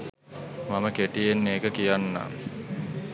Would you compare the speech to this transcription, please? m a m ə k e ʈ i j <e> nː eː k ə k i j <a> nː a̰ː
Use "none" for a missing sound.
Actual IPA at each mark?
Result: e, a

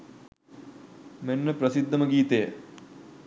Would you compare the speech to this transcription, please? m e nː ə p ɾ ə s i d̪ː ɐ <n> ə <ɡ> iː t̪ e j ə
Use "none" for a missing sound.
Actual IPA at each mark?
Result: m, ɡ

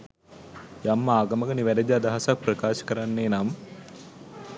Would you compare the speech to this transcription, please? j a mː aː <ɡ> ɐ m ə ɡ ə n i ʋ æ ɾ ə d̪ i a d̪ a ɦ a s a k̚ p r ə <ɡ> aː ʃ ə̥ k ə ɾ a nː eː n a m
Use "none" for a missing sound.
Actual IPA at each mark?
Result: ɡ, k

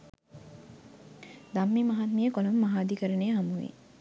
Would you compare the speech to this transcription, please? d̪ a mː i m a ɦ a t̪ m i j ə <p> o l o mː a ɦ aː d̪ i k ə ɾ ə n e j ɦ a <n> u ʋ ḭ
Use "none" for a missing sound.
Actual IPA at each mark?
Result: k, m

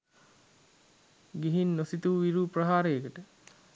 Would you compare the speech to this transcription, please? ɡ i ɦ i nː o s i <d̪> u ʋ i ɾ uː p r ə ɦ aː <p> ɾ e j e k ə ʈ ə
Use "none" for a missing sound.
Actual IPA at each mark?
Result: t̪, none

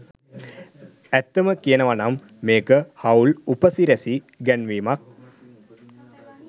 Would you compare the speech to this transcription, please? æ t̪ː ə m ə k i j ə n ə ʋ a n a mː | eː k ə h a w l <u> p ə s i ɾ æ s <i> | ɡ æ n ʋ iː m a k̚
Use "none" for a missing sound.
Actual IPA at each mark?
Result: u, i

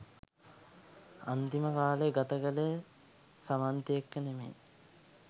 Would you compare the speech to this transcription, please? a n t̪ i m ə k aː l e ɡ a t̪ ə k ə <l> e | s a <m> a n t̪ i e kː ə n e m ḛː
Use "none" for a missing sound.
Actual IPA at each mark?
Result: l, m

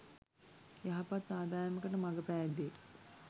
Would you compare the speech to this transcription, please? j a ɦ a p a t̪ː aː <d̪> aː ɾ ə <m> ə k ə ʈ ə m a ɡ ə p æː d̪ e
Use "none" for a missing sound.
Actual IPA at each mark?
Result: d̪, m

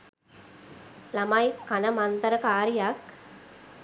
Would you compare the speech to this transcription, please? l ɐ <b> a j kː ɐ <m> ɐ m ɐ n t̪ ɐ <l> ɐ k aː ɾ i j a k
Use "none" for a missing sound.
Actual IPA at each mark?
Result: m, n, ɾ

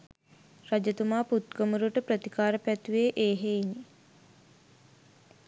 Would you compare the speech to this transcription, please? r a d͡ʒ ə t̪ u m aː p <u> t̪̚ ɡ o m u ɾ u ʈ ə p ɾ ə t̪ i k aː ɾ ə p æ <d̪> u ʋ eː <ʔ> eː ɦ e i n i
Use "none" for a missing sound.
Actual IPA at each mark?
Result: u, t̪, ʔ

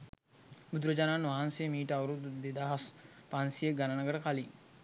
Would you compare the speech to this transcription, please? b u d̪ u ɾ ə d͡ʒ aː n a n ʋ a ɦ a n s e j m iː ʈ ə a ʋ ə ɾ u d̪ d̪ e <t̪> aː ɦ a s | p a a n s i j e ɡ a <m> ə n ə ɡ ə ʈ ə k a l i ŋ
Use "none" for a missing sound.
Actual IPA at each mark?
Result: d̪, n

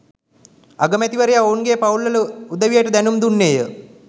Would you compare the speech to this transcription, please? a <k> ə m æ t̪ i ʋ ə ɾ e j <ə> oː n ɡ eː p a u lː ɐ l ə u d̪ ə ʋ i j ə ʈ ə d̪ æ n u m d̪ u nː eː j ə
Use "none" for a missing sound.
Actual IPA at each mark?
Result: ɡ, a

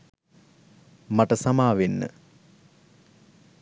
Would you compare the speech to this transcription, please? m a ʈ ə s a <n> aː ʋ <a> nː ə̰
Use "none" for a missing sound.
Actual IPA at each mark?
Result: m, e

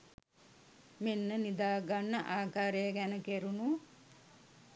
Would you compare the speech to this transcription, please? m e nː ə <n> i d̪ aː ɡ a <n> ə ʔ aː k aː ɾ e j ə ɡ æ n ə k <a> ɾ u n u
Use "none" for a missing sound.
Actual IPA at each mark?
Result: n, nː, e

